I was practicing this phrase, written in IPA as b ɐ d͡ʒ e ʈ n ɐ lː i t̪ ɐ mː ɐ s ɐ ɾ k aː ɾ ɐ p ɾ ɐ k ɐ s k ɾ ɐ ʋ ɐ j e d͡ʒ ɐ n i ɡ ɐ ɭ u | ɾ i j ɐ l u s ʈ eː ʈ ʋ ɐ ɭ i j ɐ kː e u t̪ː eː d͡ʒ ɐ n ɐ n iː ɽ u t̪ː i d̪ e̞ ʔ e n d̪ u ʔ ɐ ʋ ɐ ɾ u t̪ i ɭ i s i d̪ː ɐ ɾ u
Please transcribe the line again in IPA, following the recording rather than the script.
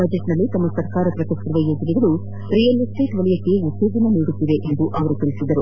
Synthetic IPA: b ɐ d͡ʒ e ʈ n ɐ lː i t̪ ɐ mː ɐ s ɐ ɾ k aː ɾ ɐ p ɾ ɐ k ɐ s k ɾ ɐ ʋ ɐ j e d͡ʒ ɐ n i ɡ ɐ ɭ u | ɾ i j ɐ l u s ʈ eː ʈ ʋ ɐ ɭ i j ɐ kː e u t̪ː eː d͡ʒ ɐ n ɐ n iː ɽ u t̪ː i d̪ e̞ ʔ e n d̪ u ʔ ɐ ʋ ɐ ɾ u t̪ i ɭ i s i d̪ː ɐ ɾ u